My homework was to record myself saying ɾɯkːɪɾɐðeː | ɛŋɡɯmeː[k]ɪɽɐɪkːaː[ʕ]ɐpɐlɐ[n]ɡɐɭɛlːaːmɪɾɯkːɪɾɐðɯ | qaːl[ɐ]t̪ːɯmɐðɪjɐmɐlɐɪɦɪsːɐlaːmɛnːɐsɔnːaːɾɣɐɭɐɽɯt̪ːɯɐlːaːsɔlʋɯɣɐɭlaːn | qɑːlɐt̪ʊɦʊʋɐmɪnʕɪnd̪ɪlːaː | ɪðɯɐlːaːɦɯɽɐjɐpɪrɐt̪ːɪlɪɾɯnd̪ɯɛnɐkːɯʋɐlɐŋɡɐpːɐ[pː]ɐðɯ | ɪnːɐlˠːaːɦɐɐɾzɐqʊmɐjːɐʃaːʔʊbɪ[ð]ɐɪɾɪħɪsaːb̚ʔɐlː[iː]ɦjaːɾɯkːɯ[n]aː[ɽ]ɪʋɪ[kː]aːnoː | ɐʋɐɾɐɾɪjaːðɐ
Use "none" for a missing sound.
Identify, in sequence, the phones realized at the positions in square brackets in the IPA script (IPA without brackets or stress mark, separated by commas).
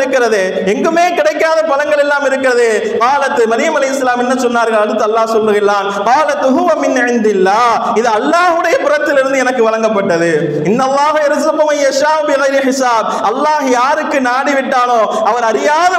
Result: k, ð, ŋ, ɐ, ʈː, ɣ, aː, n, ɽ, ʈː